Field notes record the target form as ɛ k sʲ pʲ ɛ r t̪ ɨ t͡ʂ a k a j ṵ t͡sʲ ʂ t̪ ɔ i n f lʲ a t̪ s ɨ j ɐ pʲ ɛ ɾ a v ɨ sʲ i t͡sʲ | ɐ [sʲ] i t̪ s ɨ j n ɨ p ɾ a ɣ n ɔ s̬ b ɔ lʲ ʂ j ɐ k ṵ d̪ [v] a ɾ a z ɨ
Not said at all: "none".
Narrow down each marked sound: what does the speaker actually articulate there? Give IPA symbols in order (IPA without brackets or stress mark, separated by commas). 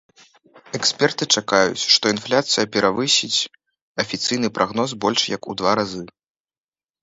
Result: fʲ, v